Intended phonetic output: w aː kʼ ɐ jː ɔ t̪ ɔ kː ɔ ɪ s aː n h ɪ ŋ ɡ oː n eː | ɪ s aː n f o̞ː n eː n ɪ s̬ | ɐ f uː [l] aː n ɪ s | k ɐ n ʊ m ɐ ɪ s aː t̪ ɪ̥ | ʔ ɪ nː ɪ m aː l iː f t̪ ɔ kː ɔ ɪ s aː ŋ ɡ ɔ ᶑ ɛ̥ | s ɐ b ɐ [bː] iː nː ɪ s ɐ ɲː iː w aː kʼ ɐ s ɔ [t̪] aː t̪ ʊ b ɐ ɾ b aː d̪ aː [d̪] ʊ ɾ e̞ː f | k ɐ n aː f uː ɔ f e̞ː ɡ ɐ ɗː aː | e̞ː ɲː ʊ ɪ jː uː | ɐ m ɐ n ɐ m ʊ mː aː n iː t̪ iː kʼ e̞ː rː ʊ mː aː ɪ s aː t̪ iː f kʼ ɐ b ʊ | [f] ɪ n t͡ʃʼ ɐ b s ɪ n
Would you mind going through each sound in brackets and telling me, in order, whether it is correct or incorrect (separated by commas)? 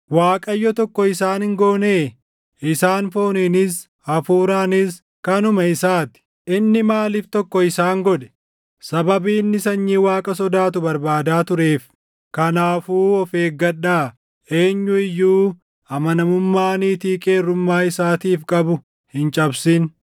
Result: incorrect, incorrect, incorrect, incorrect, incorrect